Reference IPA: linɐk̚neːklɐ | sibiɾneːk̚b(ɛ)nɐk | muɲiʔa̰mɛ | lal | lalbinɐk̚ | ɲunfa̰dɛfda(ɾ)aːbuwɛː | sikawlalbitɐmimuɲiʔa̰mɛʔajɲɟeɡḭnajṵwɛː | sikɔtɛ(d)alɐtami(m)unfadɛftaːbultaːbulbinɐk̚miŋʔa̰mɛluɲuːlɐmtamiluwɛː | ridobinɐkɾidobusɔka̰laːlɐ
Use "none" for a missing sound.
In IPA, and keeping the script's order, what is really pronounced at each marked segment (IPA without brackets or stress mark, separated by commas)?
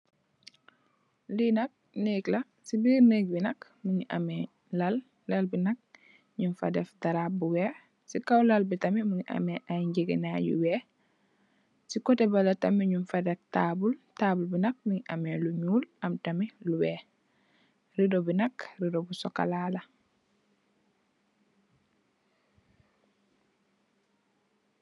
i, ɾ, b, ɲ